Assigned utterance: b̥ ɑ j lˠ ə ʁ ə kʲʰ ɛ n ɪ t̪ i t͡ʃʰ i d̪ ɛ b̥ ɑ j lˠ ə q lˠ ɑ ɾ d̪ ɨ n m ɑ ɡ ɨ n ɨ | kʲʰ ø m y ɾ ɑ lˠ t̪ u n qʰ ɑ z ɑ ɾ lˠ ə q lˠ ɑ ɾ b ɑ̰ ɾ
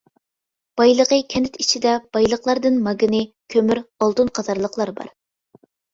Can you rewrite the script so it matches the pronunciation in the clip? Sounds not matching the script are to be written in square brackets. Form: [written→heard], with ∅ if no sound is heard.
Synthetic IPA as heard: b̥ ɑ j lˠ ə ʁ ə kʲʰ ɛ n ɪ t̪ i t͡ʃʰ i d̪ ɛ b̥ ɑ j lˠ ə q lˠ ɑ ɾ d̪ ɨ n m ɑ ɡ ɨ n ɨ | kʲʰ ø m y ɾ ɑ lˠ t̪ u n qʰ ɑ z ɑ ɾ lˠ ə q lˠ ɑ ɾ b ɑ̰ ɾ